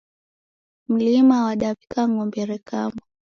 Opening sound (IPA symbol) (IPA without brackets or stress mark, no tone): m̩